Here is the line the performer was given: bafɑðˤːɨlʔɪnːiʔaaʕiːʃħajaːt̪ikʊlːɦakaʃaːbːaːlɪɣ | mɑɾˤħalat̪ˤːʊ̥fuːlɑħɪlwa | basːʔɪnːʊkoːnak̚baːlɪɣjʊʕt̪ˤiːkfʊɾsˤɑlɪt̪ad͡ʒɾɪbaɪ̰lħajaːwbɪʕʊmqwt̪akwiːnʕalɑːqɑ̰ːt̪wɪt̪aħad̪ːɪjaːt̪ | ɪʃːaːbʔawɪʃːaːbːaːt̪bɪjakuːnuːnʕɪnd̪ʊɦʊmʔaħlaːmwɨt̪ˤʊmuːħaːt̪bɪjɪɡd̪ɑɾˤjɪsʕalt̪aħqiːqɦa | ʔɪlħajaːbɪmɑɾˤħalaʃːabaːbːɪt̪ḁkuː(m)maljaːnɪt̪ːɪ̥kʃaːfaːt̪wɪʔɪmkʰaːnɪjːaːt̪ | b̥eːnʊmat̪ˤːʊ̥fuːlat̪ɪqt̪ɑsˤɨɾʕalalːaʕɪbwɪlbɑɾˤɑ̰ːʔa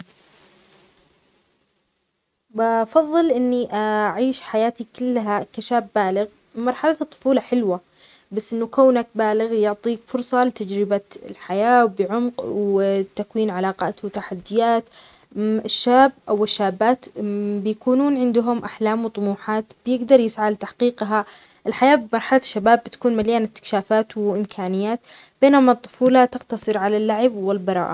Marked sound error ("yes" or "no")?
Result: yes